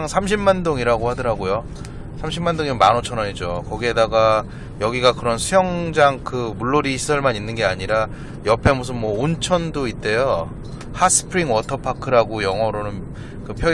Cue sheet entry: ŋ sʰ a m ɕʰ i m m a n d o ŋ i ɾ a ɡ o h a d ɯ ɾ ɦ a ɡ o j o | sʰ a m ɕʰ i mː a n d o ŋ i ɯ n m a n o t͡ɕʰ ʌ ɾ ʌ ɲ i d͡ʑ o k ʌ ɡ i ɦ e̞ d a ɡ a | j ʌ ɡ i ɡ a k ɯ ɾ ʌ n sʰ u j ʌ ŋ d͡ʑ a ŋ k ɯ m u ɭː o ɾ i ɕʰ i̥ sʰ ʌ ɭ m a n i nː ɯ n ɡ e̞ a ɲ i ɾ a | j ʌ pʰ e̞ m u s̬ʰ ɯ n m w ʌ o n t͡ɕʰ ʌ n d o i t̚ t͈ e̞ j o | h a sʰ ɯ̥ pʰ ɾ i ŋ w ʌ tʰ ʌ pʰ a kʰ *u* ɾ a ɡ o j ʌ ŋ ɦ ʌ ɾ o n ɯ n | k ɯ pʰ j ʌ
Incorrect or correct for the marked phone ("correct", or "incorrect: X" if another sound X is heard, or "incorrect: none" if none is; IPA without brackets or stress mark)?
incorrect: ɯ